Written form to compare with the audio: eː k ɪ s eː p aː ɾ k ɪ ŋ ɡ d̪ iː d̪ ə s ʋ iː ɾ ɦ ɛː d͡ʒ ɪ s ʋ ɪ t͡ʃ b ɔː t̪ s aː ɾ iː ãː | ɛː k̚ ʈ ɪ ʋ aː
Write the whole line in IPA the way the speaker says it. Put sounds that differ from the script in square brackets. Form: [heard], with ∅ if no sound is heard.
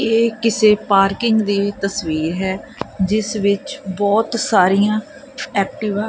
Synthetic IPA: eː k ɪ s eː p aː ɾ k ɪ ŋ ɡ d̪ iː [t̪] ə s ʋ iː ɾ ɦ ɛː d͡ʒ ɪ s ʋ ɪ t͡ʃ b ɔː t̪ s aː ɾ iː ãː | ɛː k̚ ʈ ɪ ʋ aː

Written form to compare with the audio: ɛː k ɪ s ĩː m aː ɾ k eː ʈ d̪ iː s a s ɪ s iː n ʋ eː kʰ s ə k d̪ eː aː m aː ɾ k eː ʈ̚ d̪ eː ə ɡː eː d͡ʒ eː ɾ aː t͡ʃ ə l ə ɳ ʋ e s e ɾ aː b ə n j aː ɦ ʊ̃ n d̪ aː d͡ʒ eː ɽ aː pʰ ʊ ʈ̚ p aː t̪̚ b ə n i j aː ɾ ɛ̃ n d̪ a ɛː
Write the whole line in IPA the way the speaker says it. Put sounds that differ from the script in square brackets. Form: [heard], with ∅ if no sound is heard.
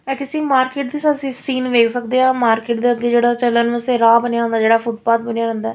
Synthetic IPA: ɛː k ɪ s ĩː m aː ɾ k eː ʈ d̪ iː s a s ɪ s iː n ʋ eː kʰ s ə k d̪ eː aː m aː ɾ k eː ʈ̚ d̪ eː ə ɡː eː d͡ʒ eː [ɽ] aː t͡ʃ ə l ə [n] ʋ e s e ɾ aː b ə n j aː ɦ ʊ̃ n d̪ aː d͡ʒ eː ɽ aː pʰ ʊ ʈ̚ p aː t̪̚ b ə n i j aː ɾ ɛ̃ n d̪ a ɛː

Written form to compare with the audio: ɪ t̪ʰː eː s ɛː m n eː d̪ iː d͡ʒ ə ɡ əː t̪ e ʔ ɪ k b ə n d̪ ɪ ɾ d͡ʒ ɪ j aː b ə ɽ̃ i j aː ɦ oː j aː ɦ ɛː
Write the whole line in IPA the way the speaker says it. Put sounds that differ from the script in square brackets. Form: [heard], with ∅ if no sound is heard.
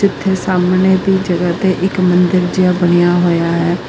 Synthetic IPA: ɪ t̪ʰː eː s [aː] m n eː d̪ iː d͡ʒ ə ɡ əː t̪ e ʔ ɪ k [m] ə n d̪ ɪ ɾ d͡ʒ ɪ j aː b ə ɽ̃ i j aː ɦ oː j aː ɦ ɛː

